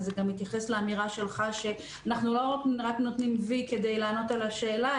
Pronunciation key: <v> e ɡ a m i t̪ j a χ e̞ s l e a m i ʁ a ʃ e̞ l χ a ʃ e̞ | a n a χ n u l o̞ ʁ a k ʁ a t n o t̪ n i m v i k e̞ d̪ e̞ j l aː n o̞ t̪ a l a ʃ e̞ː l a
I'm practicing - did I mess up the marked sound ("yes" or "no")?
yes